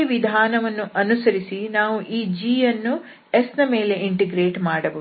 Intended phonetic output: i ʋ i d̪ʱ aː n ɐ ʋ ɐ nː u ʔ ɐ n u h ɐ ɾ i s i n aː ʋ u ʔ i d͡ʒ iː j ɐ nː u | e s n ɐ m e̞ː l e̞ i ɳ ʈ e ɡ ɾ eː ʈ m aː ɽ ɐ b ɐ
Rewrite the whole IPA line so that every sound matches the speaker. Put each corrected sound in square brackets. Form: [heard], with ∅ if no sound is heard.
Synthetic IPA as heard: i ʋ i d̪ʱ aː n ɐ ʋ ɐ nː u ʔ ɐ n u [s] ɐ ɾ i s i n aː ʋ u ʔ [iː] d͡ʒ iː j ɐ nː u | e s n ɐ m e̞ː l e̞ i ɳ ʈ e ɡ ɾ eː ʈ m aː ɽ ɐ b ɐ